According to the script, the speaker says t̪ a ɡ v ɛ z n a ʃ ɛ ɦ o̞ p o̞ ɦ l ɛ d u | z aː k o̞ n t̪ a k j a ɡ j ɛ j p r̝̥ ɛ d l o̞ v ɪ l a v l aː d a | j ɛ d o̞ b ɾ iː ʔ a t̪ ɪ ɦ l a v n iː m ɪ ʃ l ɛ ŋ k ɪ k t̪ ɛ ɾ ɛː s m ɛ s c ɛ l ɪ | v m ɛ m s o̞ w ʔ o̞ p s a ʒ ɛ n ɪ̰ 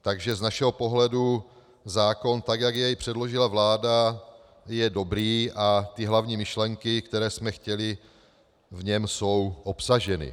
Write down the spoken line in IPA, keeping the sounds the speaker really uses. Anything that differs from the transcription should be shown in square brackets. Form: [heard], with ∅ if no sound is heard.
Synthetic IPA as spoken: t̪ a ɡ [ʒ] ɛ z n a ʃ ɛ ɦ o̞ p o̞ ɦ l ɛ d u | z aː k o̞ n t̪ a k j a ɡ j ɛ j p r̝̥ ɛ d l o̞ [ʒ] ɪ l a v l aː d a | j ɛ d o̞ b ɾ iː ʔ a t̪ ɪ ɦ l a v [ɲ] iː m ɪ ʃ l ɛ ŋ k ɪ k t̪ ɛ ɾ ɛː s m ɛ [x] c ɛ l ɪ | v [ɲ] ɛ m s o̞ w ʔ o̞ p s a ʒ ɛ n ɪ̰